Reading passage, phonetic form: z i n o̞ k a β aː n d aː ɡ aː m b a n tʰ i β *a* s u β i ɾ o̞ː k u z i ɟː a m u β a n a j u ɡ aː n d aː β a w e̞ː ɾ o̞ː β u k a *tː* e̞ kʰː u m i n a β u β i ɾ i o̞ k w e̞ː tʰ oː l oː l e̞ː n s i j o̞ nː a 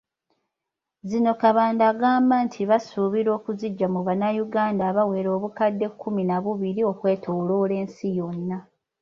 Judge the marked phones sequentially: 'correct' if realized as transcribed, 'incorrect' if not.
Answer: correct, incorrect: dː

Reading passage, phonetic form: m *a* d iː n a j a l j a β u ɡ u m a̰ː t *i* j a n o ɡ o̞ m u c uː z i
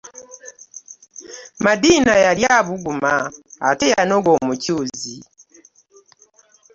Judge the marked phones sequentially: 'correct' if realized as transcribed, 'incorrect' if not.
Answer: correct, incorrect: e

